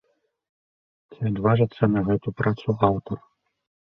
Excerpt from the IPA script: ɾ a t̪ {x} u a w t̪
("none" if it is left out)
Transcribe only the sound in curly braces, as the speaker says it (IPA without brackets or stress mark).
s